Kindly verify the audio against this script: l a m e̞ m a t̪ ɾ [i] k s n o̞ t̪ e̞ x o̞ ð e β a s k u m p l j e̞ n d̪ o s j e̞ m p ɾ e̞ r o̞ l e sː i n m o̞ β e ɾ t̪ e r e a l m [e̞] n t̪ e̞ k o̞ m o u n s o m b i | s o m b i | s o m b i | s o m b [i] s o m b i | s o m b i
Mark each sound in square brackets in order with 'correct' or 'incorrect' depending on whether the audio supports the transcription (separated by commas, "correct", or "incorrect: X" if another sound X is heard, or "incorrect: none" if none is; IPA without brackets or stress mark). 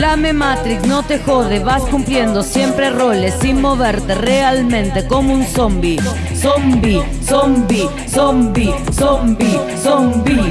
correct, incorrect: ẽ̞, correct